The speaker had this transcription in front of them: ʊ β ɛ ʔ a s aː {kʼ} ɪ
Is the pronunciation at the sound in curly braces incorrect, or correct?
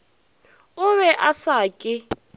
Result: correct